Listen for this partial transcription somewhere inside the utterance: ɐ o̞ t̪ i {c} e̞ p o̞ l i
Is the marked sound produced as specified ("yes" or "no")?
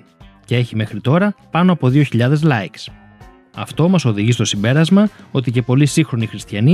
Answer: yes